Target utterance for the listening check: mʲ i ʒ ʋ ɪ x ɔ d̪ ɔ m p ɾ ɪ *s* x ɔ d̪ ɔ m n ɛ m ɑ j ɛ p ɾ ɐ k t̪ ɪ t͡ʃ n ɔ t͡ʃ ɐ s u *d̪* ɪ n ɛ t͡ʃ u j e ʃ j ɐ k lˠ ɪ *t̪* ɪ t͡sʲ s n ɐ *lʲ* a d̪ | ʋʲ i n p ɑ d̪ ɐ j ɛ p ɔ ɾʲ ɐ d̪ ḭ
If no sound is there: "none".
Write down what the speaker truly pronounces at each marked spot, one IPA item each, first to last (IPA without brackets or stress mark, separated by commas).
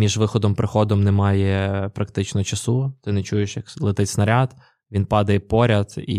none, t̪, t̪, ɾʲ